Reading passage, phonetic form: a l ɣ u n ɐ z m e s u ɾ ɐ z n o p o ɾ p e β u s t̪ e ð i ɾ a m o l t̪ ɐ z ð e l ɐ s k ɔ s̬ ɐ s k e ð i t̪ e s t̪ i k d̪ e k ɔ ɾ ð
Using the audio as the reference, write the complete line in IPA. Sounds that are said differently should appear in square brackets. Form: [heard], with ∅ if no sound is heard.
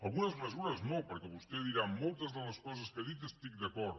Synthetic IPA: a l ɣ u n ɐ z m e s u ɾ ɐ z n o p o ɾ [k] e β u s t̪ e ð i ɾ a m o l t̪ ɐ z ð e l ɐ s k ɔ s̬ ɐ s k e ð i t̪ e s t̪ i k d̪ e k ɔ ɾ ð

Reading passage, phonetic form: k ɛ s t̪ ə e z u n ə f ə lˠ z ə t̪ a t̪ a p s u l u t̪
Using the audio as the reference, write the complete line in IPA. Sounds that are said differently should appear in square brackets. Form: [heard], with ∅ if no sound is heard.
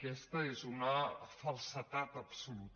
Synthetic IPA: k ɛ s t̪ ə e z u n ə f ə lˠ [s] ə t̪ a t̪ [ə] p s u l u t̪

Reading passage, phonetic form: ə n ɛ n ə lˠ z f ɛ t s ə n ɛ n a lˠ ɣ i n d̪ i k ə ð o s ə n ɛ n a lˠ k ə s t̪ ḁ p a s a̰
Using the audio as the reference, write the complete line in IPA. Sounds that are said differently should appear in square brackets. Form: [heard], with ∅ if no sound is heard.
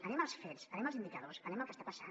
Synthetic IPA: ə n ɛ [m] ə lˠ [s] f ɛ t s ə n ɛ [m] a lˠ [z] i n d̪ i k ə ð o s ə n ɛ [m] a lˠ k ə s t̪ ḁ p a s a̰

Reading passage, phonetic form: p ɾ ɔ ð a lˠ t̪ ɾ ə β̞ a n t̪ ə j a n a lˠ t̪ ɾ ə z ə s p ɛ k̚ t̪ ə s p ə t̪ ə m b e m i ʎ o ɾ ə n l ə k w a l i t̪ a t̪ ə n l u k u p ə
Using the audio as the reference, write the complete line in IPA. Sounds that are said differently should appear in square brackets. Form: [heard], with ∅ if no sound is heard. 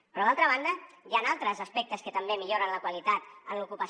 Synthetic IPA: p ɾ ɔ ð a lˠ t̪ ɾ ə β̞ a n [d̪] ə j a n a lˠ t̪ ɾ ə z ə s p ɛ k̚ t̪ ə s [k] ə t̪ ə m b e m i ʎ o ɾ ə n l ə k w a l i t̪ a t̪ ə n l u k u p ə

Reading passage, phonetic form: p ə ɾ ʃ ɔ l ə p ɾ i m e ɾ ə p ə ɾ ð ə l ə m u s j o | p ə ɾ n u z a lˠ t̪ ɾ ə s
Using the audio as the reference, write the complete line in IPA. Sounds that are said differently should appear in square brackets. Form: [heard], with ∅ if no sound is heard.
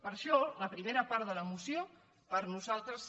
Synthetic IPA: p ə ɾ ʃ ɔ l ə p ɾ i m e ɾ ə p [a] ɾ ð ə l ə m u s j o | p ə ɾ n u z a lˠ t̪ ɾ ə s

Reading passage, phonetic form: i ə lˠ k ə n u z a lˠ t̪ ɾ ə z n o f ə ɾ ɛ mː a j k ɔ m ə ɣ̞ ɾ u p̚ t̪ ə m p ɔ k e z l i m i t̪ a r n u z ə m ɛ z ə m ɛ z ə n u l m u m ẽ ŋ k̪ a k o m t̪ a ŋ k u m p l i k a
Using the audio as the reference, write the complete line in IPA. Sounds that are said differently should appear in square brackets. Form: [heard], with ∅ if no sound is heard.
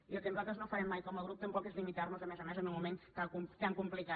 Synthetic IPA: i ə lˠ k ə n u z a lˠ t̪ ɾ ə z n o f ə ɾ ɛ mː a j k ɔ m ə ɣ̞ ɾ u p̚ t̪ ə m p ɔ k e z l i m i t̪ a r n u z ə m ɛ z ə m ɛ z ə n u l m u m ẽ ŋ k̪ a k [u] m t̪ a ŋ k u m p l i k a

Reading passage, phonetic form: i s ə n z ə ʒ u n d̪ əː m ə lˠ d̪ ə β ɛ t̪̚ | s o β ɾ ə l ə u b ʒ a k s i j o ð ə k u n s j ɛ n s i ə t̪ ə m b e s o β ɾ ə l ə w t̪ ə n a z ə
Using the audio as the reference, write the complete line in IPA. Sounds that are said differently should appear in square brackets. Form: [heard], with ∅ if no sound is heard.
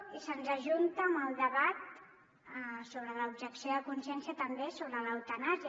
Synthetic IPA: i s ə n z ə ʒ u n [t̪] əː m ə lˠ d̪ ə β [a] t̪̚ | s o β ɾ ə l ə u b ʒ [ə] k s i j o ð ə k u n s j ɛ n s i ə t̪ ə m b e s o β ɾ ə l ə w t̪ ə n a z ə

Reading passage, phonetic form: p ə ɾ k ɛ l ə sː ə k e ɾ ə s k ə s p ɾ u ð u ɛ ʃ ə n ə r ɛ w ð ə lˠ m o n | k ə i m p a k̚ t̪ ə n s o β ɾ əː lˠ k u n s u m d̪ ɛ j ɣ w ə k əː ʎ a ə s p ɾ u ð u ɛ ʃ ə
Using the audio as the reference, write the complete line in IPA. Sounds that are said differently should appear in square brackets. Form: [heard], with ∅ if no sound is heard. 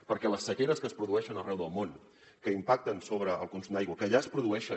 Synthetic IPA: p ə ɾ k ɛ l ə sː ə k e ɾ ə s k ə s p ɾ u ð u ɛ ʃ ə n ə r ɛ w ð ə lˠ m o n | k ə i m p a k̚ t̪ ə n s o β ɾ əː lˠ k u n s u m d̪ [a] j ɣ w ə k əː ʎ a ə s p ɾ u ð u ɛ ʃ ə

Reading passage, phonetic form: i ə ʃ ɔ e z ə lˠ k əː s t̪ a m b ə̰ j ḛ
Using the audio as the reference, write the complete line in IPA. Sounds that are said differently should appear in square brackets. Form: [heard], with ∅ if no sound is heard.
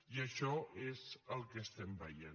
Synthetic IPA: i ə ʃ ɔ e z ə lˠ k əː s t̪ [ɛ] m b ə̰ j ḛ

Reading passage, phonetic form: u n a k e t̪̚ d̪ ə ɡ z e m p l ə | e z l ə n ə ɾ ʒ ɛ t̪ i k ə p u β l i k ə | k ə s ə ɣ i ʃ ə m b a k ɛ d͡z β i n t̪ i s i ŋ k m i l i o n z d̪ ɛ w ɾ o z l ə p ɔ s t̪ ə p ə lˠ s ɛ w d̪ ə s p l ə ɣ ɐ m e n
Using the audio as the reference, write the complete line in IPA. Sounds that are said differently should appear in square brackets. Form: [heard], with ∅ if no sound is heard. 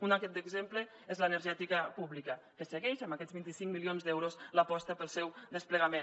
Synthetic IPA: u n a k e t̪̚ d̪ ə ɡ z e m p l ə | e z l ə n ə ɾ ʒ ɛ t̪ i k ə p u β l i k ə | k ə s ə ɣ [ɛ] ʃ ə m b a k ɛ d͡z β i n t̪ i s i ŋ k m i l i o n z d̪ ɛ w ɾ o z l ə p ɔ s t̪ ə p ə lˠ s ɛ w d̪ ə s p l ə ɣ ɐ m e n

